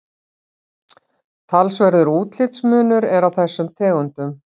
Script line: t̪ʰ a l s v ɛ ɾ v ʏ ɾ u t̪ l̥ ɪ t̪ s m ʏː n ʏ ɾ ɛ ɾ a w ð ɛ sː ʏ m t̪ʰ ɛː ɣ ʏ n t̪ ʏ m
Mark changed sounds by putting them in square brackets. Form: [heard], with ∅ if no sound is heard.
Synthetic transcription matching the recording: t̪ʰ a l s v ɛ ɾ [ð] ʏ ɾ [uː] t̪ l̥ ɪ t̪ s m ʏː n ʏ ɾ ɛ ɾ a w [θ] ɛ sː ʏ m t̪ʰ ɛː ɣ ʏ n t̪ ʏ m